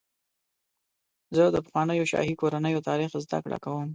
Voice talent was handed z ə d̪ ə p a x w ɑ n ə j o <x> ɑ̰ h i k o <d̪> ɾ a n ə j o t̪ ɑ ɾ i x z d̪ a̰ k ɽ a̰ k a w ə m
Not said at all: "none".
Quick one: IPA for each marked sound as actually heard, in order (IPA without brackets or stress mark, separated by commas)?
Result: ʃ, none